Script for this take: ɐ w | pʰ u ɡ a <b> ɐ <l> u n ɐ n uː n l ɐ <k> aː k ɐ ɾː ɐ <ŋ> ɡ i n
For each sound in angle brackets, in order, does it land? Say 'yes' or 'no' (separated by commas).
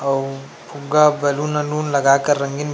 yes, yes, no, yes